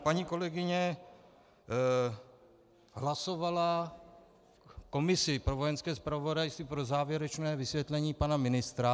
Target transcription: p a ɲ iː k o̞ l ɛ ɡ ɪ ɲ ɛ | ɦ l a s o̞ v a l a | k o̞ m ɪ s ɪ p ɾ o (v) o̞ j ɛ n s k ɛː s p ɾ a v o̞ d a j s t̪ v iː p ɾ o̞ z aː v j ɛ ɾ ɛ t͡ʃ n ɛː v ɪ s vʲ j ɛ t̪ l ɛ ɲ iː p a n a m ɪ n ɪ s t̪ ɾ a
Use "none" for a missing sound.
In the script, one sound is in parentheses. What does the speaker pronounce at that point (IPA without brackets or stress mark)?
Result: v